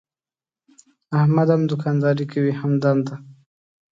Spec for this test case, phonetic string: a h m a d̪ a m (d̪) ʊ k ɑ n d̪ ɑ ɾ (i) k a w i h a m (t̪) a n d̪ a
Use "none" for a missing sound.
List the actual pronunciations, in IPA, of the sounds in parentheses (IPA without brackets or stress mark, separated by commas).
d̪, i, d̪